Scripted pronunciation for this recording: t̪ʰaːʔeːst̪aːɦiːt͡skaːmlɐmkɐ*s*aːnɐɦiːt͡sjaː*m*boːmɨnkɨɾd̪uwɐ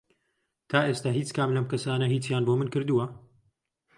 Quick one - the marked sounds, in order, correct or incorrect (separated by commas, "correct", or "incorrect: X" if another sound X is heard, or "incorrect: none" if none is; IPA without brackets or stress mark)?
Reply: correct, incorrect: n